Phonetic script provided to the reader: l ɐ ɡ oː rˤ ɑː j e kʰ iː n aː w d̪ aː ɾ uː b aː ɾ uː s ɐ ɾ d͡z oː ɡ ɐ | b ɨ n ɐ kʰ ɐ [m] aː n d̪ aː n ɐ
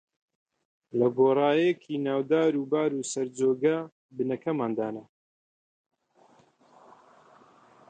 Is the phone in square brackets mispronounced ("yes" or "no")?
no